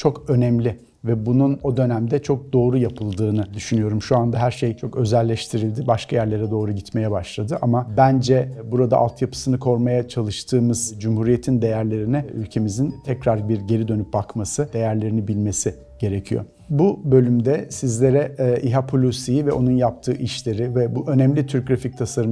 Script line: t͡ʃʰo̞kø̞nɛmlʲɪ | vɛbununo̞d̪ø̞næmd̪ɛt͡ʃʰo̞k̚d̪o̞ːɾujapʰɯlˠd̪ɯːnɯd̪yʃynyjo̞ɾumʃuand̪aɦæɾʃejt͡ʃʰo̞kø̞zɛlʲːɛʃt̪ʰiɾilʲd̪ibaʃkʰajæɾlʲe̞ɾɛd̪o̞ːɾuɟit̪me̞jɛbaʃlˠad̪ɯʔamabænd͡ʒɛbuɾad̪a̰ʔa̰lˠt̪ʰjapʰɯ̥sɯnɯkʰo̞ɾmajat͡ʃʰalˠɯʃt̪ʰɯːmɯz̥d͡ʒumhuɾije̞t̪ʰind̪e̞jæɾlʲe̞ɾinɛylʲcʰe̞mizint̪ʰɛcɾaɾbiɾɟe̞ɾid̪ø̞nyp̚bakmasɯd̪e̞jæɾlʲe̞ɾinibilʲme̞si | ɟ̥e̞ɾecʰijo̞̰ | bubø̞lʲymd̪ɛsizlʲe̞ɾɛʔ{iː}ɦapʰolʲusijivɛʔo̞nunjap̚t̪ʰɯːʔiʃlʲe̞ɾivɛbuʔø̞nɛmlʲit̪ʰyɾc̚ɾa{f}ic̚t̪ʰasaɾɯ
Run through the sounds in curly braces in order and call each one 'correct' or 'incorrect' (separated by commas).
incorrect, correct